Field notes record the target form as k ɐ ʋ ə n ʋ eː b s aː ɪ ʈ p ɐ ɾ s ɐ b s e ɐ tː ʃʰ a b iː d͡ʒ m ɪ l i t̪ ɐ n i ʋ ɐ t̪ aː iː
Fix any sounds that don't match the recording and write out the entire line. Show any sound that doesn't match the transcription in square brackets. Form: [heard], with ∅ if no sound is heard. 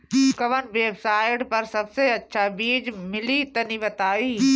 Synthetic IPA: k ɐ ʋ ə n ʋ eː b s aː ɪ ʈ p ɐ ɾ s ɐ b s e ɐ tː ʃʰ a b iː d͡ʒ m ɪ l i t̪ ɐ n i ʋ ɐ t̪ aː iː

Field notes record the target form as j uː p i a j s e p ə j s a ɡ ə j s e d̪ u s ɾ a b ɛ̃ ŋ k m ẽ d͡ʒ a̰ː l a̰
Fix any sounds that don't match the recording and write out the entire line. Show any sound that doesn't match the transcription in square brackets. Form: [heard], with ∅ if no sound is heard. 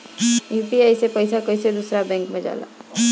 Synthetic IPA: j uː p i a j s e p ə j s a [k] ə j s e d̪ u s ɾ a b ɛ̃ ŋ k m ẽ d͡ʒ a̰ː l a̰

